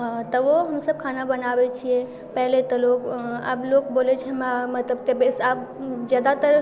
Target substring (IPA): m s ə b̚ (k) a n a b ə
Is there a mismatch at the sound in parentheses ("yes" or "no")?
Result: yes